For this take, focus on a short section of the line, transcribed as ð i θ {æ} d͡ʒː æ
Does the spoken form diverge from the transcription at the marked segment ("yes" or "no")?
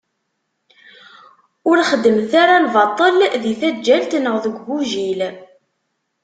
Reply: no